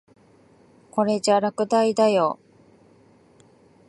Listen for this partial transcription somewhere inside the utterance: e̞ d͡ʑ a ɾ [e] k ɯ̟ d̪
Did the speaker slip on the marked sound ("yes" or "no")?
yes